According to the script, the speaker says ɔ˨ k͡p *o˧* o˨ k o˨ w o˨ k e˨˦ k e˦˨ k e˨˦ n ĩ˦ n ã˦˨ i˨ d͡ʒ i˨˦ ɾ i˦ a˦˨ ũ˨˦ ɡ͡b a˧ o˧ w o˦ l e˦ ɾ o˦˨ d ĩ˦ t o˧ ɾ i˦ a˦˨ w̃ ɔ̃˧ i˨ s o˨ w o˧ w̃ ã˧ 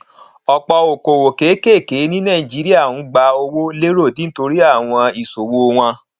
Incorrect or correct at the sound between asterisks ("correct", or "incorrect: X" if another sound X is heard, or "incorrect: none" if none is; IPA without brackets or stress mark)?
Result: incorrect: ɔ˧